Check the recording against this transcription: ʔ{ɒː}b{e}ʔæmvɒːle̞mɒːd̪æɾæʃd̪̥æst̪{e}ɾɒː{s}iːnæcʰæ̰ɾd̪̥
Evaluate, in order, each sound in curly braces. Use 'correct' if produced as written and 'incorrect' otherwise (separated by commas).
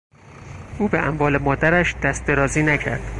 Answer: incorrect, correct, correct, incorrect